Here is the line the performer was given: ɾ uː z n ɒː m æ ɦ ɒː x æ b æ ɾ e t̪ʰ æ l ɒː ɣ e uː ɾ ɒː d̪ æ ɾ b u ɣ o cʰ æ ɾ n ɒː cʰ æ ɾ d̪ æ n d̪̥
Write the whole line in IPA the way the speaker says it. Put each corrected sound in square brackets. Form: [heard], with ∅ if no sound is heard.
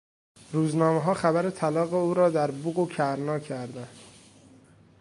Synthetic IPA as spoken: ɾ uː z n ɒː m [e] ɦ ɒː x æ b æ ɾ e t̪ʰ æ l ɒː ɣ e uː ɾ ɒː d̪ æ ɾ b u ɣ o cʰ æ ɾ n ɒː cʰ æ ɾ d̪ æ n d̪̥